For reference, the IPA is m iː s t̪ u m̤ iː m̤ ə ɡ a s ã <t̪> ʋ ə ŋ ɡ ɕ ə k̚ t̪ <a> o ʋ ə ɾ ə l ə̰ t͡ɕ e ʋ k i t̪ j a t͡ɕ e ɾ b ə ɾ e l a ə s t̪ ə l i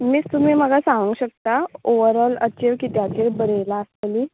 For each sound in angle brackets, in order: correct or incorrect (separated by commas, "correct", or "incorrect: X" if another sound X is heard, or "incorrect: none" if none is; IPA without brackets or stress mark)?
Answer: incorrect: none, correct